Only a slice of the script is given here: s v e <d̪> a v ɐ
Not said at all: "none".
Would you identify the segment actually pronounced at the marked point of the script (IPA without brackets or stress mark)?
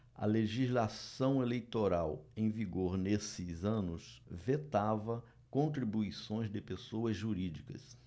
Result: t̪